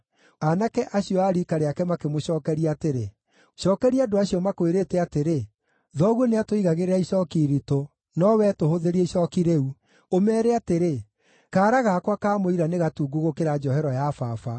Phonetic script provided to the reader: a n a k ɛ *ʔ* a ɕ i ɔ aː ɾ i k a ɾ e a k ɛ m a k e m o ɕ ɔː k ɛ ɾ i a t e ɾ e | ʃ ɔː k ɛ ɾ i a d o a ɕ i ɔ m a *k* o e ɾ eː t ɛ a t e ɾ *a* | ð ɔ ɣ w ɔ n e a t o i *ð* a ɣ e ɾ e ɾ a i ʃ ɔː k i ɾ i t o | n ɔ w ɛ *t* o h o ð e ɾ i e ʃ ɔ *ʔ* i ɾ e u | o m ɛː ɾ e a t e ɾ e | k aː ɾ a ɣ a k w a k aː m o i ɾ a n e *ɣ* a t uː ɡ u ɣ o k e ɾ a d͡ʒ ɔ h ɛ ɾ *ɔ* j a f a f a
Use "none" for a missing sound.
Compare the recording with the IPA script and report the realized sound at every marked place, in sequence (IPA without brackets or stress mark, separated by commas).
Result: ʔ, k, e, ɣ, t, k, ɣ, ɔ